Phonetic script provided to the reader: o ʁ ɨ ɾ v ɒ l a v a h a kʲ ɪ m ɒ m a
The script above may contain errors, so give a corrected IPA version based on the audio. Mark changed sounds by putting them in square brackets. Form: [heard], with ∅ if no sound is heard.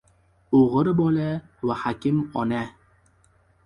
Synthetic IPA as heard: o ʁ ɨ ɾ [b] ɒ l a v a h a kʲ ɪ m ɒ [n] a